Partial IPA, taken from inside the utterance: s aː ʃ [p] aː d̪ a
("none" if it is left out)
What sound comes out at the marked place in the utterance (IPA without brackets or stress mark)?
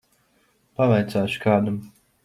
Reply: k